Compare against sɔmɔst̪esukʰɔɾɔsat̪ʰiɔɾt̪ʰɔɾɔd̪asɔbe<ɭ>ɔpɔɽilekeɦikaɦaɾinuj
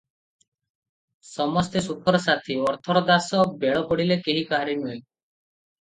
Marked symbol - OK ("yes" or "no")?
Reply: yes